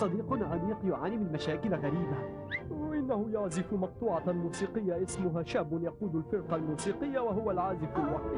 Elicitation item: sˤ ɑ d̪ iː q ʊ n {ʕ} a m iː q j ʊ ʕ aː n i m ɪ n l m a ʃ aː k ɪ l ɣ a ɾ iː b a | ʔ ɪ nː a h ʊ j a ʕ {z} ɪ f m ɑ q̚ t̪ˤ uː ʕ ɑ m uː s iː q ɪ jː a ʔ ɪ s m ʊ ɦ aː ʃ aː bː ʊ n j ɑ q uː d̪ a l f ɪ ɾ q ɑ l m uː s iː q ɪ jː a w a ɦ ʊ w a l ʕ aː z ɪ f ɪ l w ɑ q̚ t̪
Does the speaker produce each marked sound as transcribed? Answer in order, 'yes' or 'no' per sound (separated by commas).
yes, yes